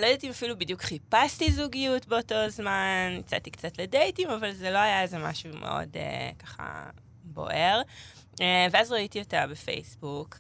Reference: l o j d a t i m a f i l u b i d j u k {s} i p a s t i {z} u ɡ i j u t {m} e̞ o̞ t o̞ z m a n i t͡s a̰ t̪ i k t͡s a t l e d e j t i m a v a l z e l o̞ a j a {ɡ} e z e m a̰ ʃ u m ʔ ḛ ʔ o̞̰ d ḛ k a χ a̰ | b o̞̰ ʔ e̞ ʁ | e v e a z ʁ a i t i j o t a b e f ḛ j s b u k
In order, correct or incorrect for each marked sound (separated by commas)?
incorrect, correct, incorrect, incorrect